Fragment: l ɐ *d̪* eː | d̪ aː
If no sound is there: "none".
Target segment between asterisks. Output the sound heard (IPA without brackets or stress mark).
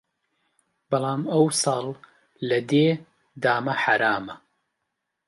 d̪